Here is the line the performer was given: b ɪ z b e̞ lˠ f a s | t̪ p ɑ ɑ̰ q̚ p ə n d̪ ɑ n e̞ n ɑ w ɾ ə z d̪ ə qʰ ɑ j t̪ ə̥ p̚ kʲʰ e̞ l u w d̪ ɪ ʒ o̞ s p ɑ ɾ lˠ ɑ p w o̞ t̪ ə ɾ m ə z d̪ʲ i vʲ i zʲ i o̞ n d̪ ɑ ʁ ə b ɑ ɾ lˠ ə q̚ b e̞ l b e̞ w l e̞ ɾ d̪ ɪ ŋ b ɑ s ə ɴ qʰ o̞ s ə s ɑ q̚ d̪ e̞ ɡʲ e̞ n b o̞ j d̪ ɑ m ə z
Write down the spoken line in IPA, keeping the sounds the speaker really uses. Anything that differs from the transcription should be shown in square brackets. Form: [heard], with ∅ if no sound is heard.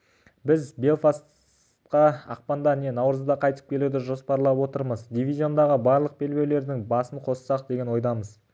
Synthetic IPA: b ɪ z b e̞ lˠ f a s | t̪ [q] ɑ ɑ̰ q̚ p [ɑ] n d̪ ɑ n e̞ n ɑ w ɾ ə z d̪ [ɑ] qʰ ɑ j t̪ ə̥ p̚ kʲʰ e̞ l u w d̪ ɪ ʒ o̞ s p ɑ ɾ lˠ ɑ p w o̞ t̪ ə ɾ m ə z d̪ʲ i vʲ i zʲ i o̞ n d̪ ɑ ʁ ə b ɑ ɾ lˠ ə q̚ b e̞ l b e̞ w l e̞ ɾ d̪ ɪ ŋ b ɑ s ə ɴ qʰ o̞ s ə s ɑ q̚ d̪ e̞ ɡʲ e̞ n [w] o̞ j d̪ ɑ m ə z